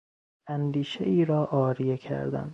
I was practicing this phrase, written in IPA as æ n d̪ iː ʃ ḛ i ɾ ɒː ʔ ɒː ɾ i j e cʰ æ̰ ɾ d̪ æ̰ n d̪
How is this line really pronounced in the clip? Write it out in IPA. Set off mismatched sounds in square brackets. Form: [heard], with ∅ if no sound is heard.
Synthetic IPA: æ n d̪ iː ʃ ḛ [iː] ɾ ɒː ʔ ɒː ɾ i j e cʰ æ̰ ɾ d̪ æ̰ n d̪